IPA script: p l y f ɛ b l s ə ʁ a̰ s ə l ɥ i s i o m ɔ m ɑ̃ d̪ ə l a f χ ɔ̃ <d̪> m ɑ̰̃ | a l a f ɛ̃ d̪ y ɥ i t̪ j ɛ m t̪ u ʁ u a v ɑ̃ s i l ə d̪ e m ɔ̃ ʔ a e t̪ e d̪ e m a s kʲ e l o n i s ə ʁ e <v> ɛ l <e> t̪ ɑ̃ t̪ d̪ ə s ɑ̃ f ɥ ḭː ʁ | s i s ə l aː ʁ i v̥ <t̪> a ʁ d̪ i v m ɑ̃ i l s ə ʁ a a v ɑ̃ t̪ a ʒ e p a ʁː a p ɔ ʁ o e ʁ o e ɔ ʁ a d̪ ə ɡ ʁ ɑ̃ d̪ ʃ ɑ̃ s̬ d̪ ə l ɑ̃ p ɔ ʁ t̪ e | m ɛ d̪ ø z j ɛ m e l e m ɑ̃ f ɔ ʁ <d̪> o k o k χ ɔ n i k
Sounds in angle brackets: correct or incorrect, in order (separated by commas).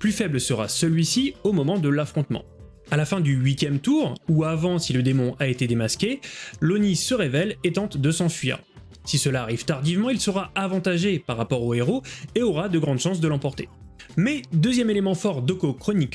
incorrect, correct, correct, correct, correct